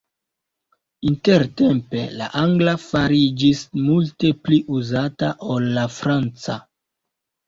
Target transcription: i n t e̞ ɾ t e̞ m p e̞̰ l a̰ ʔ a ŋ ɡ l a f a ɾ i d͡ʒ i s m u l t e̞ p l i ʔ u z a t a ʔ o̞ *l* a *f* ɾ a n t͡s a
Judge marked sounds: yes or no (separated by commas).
no, yes